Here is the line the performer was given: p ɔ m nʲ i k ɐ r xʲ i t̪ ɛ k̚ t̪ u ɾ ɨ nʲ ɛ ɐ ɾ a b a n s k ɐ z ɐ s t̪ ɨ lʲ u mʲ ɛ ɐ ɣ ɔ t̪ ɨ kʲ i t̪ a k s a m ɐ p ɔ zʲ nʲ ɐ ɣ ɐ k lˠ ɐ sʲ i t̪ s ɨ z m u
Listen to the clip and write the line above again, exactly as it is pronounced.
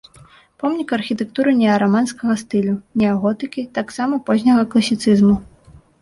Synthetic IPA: p ɔ m nʲ i k ɐ r xʲ i t̪ ɛ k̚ t̪ u ɾ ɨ nʲ ɛ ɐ ɾ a m a n s k ɐ ɣ ɐ s t̪ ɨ lʲ u nʲ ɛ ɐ ɣ ɔ t̪ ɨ kʲ i t̪ a k s a m ɐ p ɔ zʲ nʲ ɐ ɣ ɐ k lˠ ɐ sʲ i t̪ s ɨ z m u